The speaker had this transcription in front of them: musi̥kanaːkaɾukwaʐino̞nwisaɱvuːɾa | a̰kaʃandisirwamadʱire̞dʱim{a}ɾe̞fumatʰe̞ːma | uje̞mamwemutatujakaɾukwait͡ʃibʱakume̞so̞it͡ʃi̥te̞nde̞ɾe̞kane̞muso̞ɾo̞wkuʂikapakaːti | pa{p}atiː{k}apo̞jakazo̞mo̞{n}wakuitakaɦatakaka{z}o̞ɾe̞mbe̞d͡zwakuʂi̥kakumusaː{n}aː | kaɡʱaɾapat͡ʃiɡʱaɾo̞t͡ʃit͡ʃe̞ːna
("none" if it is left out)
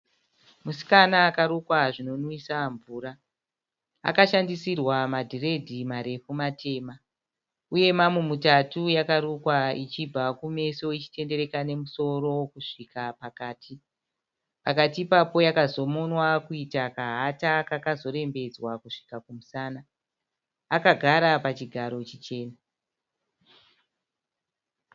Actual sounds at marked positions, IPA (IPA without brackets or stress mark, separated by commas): a, k, p, n, z, n